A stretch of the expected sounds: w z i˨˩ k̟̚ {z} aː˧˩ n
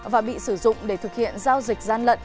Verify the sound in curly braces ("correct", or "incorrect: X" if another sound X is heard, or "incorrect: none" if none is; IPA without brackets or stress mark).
correct